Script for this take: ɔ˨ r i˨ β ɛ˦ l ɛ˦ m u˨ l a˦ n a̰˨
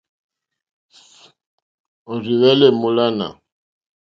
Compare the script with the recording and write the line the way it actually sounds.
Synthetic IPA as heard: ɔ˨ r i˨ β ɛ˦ l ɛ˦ m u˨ l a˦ n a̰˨